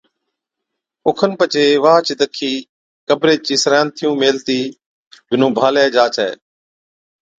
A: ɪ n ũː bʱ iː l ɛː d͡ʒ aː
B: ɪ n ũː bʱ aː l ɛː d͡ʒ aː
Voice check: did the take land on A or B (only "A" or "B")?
B